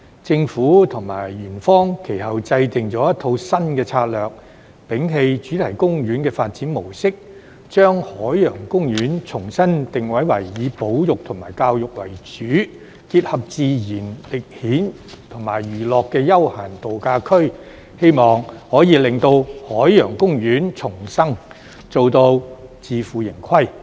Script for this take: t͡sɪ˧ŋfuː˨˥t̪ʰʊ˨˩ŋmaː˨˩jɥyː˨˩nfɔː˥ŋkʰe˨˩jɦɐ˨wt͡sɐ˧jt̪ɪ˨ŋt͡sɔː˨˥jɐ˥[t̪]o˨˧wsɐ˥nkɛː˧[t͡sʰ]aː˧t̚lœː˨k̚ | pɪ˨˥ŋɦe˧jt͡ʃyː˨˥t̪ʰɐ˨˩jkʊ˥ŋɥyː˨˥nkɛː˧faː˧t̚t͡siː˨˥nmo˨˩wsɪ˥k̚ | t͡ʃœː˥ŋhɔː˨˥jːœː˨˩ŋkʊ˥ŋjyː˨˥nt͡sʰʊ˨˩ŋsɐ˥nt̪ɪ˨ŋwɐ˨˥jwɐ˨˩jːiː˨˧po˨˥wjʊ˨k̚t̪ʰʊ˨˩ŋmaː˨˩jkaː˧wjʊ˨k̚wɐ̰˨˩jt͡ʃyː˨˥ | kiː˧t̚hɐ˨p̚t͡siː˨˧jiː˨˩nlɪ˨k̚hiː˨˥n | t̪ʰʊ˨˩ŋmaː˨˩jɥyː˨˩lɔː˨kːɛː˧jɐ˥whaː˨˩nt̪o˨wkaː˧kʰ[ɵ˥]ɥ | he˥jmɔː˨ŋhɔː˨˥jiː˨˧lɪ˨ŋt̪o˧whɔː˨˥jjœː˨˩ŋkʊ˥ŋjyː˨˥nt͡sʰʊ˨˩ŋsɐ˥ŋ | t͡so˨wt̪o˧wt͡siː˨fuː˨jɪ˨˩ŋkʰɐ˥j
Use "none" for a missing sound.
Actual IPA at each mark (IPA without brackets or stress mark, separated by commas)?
t̪ʰ, t͡sʰ, ɵ˥